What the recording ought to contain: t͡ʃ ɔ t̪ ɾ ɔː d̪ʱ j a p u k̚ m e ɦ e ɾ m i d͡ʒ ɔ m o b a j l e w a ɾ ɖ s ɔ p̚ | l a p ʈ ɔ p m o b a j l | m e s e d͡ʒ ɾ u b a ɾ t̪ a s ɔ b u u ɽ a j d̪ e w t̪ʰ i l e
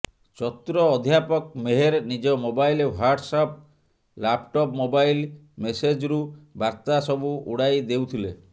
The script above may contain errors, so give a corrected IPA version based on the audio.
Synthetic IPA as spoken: t͡ʃ ɔ t̪ ɾ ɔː d̪ʱ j a p ɔ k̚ m e ɦ e ɾ n i d͡ʒ ɔ m o b a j l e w a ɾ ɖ s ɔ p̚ | l a p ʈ ɔ p m o b a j l | m e s e d͡ʒ ɾ u b a ɾ t̪ a s ɔ b u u ɽ a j d̪ e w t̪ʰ i l e